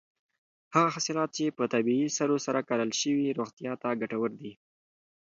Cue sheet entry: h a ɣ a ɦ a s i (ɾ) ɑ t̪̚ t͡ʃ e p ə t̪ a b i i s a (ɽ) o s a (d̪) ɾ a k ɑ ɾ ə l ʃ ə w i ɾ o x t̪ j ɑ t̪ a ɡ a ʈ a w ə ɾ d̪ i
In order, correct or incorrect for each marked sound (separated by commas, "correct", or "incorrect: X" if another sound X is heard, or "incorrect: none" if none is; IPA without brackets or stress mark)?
incorrect: l, incorrect: ɾ, incorrect: none